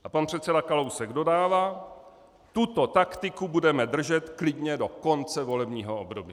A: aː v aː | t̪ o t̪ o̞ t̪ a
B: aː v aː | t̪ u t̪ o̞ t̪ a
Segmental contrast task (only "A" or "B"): B